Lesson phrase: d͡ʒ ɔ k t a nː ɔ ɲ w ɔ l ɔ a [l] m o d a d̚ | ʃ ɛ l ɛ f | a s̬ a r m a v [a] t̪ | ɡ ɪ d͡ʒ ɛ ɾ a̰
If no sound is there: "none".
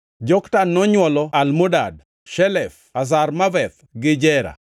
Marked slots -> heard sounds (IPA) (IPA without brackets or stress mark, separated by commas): l, ɛ